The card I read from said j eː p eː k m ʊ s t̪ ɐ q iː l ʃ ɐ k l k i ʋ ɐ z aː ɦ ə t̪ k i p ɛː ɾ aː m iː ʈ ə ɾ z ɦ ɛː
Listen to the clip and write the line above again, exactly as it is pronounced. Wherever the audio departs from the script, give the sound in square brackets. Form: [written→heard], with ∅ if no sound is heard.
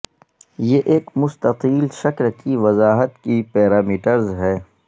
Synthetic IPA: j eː [p→ʔ] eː k m ʊ s t̪ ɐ q iː l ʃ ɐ k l k i ʋ ɐ z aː ɦ ə t̪ k i p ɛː ɾ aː m iː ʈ ə ɾ z ɦ ɛː